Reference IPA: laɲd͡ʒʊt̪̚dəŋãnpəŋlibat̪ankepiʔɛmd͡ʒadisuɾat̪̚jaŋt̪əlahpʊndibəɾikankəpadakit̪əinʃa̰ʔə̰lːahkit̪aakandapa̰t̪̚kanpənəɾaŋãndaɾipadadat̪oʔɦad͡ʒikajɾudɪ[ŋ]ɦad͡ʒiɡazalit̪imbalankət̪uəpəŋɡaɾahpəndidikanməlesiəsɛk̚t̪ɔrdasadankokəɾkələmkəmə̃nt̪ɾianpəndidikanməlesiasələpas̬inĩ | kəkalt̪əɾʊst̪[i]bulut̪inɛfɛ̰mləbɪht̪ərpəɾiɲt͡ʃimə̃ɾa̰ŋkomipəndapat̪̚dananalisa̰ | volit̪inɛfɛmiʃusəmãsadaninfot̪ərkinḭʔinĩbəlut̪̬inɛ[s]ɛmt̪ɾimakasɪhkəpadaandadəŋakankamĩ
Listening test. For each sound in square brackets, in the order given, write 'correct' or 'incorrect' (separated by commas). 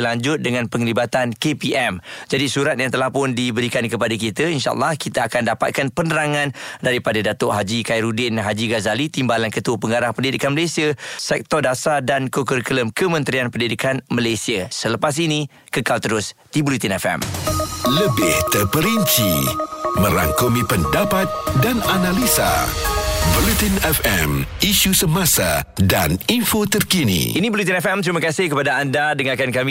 incorrect, correct, incorrect